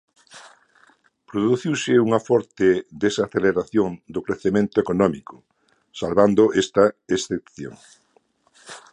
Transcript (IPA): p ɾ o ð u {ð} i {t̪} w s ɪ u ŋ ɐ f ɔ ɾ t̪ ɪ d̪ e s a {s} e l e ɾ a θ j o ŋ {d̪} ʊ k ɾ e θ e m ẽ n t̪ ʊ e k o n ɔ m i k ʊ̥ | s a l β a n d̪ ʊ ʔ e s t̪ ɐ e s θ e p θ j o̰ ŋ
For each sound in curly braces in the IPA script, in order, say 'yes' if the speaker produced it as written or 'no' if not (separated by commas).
no, no, no, yes